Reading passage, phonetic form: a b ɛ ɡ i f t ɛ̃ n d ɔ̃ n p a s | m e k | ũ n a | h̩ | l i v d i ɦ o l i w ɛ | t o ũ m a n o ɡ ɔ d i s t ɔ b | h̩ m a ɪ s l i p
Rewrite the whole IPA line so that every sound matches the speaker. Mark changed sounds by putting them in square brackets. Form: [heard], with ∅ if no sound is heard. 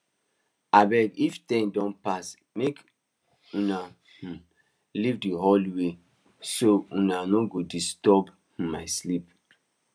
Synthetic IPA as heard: a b ɛ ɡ i f t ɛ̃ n d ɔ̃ n p a s | m e k | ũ n a | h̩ | l i v d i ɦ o l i w [e] | [s] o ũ [n] a n o ɡ [o] d i s t ɔ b | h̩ m a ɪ s l i p